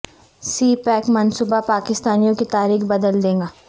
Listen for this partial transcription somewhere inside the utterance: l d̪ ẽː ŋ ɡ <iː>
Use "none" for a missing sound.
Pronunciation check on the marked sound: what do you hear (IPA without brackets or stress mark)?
aː